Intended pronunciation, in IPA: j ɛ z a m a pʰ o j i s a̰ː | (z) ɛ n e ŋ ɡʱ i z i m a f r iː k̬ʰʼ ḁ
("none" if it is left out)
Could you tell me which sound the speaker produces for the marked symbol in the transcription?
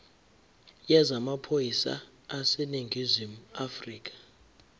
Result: s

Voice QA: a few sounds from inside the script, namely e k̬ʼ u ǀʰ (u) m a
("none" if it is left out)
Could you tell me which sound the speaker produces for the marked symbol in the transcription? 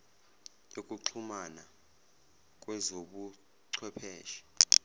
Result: u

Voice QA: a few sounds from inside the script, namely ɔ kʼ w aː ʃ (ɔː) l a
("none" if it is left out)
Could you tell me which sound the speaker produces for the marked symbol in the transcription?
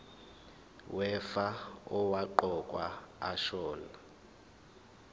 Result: ɔː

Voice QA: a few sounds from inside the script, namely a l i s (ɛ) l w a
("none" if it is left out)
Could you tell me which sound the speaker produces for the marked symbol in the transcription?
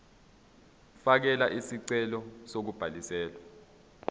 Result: ɛː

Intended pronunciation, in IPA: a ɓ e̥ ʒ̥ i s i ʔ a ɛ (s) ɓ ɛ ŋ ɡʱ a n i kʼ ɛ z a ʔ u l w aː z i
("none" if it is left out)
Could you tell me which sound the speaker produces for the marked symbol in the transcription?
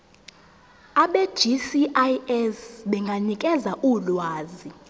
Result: s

